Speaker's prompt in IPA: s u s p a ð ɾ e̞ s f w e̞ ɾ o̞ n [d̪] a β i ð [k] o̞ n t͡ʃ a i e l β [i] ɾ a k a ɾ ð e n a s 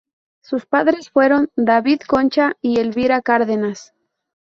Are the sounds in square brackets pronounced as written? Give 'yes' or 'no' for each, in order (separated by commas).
yes, yes, yes